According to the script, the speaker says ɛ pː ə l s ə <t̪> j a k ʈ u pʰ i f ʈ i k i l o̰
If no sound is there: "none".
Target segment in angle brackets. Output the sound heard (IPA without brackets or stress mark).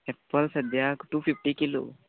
d̪